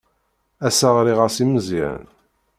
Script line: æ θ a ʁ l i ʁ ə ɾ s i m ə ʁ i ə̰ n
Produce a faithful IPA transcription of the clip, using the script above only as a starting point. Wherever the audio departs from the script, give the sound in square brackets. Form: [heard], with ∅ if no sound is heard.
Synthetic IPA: æ [s] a ʁ [ɾ] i ʁ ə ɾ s i m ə [z] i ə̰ n